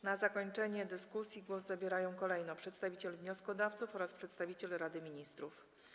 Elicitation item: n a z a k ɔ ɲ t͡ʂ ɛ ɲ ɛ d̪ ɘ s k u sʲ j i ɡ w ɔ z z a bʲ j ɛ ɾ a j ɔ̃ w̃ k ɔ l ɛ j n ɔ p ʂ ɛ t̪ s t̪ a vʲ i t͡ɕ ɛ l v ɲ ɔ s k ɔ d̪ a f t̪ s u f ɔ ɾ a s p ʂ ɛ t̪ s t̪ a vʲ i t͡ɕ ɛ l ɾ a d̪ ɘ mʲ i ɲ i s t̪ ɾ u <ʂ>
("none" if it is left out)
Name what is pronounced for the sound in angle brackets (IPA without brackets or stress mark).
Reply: f